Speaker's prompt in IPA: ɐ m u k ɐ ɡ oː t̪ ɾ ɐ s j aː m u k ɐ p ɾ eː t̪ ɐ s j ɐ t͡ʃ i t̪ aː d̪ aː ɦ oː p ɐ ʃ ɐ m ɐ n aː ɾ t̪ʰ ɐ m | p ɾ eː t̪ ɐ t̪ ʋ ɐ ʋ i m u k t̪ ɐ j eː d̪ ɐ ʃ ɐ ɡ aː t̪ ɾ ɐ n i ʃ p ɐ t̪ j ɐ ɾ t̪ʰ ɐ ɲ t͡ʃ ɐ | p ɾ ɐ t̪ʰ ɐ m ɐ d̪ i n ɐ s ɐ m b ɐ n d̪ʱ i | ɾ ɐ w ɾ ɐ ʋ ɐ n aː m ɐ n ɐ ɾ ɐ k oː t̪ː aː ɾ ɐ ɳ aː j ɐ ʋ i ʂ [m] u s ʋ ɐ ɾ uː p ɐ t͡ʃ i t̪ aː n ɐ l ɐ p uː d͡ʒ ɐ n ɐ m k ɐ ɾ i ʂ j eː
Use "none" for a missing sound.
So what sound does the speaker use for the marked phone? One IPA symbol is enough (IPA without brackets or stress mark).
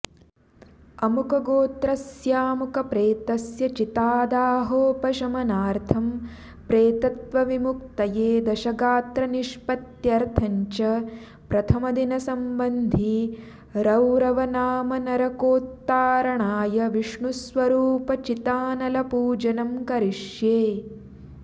ɳ